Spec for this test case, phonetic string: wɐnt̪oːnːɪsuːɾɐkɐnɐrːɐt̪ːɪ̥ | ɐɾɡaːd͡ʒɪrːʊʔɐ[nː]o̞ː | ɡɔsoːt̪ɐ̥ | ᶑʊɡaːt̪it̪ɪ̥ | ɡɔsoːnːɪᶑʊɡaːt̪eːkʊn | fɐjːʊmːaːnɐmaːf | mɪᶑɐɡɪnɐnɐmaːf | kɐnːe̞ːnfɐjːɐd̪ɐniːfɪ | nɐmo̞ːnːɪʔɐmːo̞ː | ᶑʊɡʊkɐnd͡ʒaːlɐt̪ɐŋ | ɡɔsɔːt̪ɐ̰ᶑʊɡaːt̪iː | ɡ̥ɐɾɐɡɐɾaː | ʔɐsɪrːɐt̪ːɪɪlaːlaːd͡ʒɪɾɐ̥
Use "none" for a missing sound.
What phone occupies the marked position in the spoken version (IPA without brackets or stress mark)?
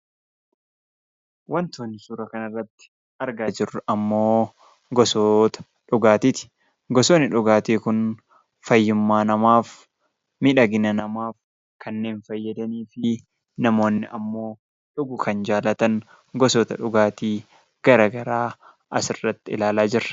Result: mː